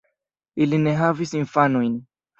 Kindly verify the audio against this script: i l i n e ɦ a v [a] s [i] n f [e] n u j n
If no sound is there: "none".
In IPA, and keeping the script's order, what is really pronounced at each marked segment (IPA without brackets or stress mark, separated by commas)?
i, i, a